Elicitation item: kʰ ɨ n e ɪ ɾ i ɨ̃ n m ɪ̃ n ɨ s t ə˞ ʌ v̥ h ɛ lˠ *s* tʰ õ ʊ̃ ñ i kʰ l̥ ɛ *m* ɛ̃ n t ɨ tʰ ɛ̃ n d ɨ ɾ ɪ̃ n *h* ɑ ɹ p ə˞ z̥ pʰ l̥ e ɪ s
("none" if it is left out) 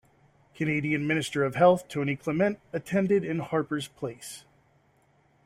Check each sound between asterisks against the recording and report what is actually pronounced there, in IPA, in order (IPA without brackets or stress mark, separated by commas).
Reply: θ, m, h